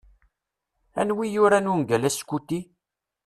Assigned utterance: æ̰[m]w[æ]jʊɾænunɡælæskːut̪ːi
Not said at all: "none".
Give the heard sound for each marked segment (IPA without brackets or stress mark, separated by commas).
n, i